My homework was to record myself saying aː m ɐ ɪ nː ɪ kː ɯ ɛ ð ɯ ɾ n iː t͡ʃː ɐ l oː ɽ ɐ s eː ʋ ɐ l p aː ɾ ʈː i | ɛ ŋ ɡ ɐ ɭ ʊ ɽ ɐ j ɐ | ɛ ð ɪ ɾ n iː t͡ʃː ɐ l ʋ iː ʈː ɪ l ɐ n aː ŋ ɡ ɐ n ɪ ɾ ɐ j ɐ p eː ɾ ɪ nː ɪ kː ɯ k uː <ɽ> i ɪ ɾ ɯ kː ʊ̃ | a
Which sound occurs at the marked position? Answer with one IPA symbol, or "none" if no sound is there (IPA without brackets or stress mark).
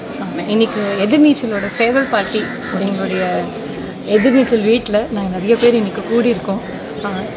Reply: ɽ